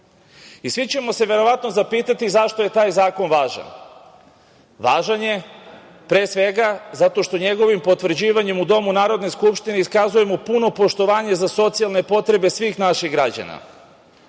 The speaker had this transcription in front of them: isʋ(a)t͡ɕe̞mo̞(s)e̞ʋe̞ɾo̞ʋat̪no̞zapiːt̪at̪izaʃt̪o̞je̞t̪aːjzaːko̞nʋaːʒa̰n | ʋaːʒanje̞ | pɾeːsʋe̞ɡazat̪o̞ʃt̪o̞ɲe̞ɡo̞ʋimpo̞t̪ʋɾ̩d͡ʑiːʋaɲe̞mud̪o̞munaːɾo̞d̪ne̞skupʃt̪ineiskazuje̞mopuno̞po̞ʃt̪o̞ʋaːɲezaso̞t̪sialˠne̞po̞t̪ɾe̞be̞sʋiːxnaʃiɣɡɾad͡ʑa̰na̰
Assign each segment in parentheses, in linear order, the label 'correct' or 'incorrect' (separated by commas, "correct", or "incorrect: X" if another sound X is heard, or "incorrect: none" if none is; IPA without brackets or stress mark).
incorrect: i, correct